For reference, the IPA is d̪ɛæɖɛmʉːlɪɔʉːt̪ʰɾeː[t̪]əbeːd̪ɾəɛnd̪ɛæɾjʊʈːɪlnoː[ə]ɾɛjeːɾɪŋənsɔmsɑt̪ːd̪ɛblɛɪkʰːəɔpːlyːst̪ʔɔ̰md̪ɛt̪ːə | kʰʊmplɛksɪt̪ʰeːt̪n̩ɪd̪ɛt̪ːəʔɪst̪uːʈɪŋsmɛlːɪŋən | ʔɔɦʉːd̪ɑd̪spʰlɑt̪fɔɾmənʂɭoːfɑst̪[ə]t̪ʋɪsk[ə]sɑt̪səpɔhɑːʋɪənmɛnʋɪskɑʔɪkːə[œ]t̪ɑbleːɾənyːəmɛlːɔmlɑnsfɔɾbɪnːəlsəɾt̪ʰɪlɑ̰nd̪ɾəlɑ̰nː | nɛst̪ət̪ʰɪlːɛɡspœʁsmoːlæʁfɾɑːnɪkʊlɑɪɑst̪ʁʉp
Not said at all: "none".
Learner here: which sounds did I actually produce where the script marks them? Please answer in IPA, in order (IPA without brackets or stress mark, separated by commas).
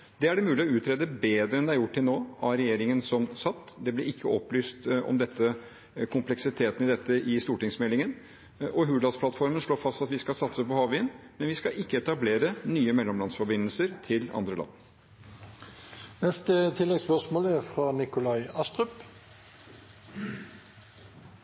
d̪, ɑ, ɑ, ɑ, ɛ